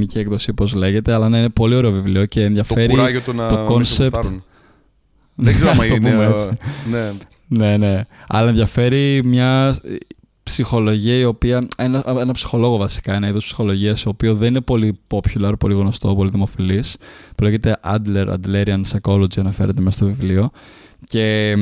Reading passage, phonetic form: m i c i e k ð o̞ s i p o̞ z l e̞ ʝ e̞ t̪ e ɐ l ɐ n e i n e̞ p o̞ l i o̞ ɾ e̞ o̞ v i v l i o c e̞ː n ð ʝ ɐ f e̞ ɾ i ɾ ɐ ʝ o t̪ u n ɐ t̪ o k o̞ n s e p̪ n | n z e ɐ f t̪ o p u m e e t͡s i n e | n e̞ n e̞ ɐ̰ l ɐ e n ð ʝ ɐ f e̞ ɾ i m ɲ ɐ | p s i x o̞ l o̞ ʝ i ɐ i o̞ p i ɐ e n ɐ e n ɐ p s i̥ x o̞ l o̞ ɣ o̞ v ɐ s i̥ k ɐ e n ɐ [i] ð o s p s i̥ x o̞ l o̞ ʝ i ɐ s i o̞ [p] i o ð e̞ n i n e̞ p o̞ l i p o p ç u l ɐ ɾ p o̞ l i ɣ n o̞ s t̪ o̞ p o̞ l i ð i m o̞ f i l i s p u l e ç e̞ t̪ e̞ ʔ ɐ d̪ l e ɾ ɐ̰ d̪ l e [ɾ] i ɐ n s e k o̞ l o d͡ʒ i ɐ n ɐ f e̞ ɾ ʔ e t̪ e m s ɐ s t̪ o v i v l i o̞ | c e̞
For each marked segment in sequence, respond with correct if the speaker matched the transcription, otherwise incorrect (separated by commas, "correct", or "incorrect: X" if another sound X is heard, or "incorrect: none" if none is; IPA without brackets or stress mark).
correct, correct, correct